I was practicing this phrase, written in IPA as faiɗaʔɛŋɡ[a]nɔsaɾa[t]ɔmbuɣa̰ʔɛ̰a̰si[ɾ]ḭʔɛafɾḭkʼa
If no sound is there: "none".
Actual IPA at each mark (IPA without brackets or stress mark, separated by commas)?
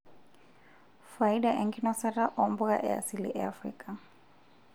i, ʔ, l